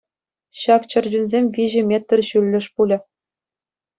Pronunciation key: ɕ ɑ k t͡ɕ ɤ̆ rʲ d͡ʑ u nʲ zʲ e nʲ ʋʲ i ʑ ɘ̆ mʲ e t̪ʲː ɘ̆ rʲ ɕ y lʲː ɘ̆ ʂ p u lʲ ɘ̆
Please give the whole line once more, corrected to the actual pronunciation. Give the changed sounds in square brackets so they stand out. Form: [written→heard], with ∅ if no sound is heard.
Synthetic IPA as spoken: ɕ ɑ k t͡ɕ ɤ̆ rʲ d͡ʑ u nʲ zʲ e [nʲ→mʲ] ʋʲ i ʑ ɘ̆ mʲ e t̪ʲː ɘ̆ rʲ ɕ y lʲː ɘ̆ ʂ p u lʲ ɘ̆